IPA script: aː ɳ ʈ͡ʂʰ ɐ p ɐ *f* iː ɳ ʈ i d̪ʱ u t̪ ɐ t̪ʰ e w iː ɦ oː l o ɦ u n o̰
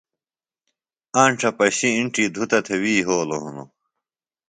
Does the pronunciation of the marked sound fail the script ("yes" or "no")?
yes